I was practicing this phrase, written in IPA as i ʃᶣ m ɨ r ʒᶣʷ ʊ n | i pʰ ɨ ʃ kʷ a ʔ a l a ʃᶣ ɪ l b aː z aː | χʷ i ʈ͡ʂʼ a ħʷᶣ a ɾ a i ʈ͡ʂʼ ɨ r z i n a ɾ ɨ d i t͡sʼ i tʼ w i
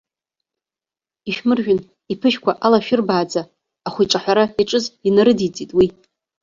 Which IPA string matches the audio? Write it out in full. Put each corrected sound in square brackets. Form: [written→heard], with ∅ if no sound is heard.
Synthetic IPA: i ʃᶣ m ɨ r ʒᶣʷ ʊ n | i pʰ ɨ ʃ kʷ a ʔ a l a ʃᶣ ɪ [l→r] b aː [z→d͡z] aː | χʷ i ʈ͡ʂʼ a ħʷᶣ a ɾ a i ʈ͡ʂʼ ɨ [r→∅] z i n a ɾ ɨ d i t͡sʼ i tʼ w i